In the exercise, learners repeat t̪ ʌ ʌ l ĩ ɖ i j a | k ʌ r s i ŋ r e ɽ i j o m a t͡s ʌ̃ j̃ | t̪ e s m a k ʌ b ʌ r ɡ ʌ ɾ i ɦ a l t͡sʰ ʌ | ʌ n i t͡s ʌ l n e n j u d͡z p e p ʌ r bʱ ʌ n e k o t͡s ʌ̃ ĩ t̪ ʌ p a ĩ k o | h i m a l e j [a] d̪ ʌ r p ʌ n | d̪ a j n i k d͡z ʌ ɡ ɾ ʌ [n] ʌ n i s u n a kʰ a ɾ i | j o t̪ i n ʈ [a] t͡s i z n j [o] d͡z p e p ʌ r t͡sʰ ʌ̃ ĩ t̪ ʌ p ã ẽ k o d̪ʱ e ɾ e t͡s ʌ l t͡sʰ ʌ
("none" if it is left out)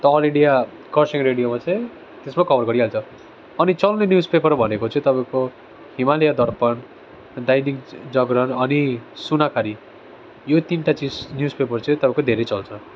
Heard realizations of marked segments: a, n, a, u

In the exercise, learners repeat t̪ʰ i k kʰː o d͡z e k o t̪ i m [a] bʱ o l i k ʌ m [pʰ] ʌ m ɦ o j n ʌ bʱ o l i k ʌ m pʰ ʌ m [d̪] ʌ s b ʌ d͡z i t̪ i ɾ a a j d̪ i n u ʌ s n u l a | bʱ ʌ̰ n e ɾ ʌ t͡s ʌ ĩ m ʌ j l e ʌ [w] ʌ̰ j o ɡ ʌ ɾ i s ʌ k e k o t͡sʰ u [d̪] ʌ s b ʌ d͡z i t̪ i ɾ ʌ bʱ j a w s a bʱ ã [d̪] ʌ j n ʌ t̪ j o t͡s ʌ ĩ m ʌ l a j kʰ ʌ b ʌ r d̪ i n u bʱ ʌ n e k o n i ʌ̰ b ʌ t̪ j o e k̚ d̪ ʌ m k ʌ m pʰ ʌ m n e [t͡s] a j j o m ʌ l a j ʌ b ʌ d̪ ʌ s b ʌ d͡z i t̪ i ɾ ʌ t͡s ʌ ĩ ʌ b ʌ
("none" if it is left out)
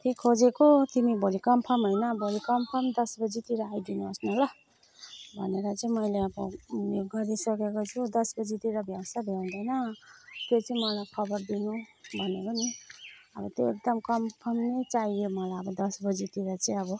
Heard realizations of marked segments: i, pʰ, d̪, b, d̪, d̪, t͡s

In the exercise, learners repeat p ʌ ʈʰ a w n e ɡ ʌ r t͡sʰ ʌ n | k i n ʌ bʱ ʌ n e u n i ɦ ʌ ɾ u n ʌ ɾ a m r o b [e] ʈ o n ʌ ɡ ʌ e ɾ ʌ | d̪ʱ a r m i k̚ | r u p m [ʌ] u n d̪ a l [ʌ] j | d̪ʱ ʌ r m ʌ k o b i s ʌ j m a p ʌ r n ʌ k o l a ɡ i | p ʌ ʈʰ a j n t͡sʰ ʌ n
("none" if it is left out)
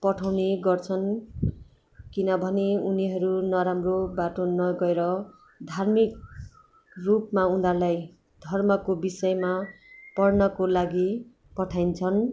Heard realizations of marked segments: a, a, a

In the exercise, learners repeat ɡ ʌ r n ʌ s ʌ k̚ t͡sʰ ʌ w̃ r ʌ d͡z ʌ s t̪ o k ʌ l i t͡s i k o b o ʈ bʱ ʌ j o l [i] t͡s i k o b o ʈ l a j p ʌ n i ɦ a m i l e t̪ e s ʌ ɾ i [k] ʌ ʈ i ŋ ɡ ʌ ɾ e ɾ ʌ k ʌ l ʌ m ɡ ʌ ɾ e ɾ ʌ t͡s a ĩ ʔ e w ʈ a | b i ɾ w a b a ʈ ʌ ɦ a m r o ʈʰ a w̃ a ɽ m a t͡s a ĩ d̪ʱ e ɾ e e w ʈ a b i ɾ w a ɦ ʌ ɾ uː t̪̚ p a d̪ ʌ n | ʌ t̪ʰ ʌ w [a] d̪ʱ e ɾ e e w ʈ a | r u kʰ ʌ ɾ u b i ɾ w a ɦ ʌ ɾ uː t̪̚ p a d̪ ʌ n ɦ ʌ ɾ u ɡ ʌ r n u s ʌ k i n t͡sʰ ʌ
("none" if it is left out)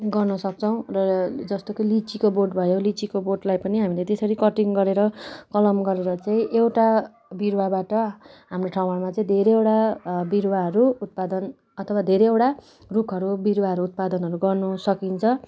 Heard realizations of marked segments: i, k, a

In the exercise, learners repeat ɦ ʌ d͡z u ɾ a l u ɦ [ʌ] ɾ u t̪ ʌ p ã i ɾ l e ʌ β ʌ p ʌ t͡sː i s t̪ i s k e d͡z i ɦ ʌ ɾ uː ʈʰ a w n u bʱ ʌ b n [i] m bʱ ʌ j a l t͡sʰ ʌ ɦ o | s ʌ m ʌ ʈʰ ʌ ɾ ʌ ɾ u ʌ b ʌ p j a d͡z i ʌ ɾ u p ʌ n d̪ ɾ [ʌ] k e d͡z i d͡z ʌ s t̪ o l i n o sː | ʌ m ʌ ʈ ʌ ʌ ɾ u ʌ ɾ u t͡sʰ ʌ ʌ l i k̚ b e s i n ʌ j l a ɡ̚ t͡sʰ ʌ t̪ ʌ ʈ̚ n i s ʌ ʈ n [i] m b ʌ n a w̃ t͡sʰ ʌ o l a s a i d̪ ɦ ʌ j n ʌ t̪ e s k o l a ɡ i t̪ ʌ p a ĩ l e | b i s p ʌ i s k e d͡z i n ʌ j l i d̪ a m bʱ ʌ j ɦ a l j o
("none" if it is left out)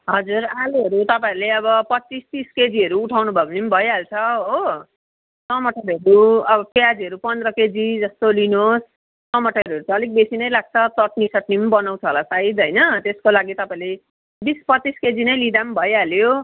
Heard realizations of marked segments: ʌ, i, ʌ, i

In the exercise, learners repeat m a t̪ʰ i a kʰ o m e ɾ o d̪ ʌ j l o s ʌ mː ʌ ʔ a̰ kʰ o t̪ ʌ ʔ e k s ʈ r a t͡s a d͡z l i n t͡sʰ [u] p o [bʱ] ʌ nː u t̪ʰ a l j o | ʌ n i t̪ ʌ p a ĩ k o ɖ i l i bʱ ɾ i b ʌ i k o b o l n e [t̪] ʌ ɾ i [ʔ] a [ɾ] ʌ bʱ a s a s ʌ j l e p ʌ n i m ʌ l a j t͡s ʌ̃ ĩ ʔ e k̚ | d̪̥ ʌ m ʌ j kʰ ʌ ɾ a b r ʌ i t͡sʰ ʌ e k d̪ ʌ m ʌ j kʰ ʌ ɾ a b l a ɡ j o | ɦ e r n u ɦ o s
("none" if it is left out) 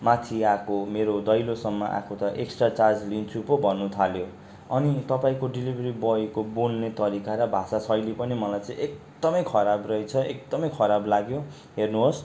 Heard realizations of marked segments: u, bʱ, t̪, k, ɾ

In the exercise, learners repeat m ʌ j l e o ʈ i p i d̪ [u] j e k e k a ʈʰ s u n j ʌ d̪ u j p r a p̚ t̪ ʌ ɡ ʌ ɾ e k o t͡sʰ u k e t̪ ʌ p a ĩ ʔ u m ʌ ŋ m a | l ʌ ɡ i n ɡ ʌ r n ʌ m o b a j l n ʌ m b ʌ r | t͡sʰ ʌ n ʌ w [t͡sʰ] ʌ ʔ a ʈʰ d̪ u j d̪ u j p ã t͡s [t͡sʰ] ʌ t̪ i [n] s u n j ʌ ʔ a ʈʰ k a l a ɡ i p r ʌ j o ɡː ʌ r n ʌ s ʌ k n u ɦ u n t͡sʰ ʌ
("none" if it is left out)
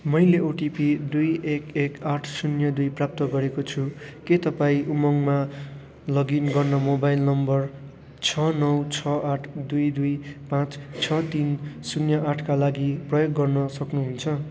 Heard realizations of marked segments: u, t͡sʰ, t͡sʰ, n

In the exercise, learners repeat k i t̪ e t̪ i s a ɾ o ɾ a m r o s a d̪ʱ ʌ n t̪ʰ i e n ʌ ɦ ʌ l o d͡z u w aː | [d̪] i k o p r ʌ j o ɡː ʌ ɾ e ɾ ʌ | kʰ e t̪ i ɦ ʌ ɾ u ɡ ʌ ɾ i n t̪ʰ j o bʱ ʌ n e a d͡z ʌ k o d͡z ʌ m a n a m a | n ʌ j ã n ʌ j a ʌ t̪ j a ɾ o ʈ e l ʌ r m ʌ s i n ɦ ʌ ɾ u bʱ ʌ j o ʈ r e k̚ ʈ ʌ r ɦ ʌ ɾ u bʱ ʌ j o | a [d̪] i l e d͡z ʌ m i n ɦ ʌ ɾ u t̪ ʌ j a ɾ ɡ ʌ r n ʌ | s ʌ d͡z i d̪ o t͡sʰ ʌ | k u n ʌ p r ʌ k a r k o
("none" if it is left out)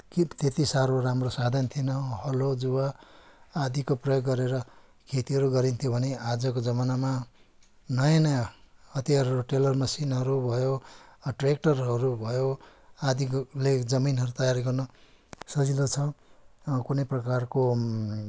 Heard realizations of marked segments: d̪, d̪

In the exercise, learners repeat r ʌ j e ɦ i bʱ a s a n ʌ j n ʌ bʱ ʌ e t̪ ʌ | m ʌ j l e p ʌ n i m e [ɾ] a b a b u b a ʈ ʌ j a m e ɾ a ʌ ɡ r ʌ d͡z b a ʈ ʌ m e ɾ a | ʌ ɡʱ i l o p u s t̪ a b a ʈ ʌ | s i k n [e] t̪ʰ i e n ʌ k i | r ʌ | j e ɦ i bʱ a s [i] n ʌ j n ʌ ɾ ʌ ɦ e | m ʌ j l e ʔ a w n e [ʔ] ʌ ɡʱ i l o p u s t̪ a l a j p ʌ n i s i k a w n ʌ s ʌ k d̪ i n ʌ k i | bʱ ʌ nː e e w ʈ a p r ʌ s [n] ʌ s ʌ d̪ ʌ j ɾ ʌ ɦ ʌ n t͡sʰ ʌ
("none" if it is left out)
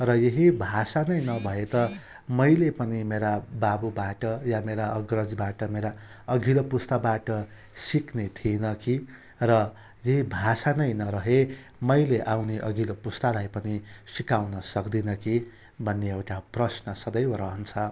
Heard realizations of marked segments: ɾ, e, a, ʔ, n

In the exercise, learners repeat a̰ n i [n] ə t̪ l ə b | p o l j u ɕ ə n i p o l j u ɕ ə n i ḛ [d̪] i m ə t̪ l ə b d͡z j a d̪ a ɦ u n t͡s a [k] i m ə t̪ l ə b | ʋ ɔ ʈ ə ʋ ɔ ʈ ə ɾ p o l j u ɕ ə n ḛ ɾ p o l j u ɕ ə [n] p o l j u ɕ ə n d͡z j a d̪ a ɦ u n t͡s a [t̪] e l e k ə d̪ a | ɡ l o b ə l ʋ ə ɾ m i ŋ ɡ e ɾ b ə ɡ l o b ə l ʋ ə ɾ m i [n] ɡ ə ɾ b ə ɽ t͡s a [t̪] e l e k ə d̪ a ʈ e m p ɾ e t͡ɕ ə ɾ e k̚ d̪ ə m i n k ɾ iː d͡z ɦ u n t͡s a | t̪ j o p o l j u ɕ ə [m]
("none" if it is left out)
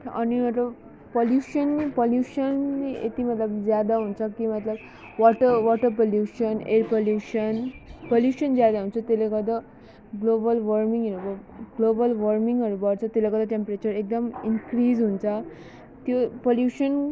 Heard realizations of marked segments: m, t̪, k, n, t̪, ŋ, t̪, n

